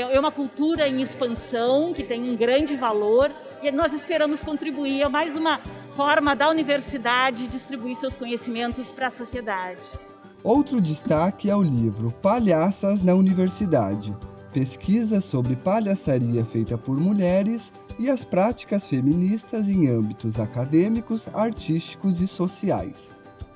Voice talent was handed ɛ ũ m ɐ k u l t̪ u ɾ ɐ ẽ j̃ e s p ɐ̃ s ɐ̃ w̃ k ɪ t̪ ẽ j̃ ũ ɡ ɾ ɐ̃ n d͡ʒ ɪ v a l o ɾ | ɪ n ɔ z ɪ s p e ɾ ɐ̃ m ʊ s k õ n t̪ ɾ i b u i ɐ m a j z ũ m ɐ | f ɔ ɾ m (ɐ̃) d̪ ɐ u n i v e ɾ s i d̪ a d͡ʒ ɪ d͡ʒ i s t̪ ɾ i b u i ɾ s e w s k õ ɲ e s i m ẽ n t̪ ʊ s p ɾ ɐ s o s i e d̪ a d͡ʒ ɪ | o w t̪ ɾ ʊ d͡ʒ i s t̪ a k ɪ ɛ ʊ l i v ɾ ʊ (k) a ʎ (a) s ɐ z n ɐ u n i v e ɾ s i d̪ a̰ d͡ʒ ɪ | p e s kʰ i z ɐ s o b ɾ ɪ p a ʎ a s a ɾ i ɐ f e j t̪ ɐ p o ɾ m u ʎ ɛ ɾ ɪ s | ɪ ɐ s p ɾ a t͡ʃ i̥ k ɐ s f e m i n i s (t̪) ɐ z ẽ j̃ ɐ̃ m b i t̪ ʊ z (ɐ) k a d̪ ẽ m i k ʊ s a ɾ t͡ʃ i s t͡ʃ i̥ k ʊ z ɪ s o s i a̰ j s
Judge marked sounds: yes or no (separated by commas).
no, no, yes, yes, no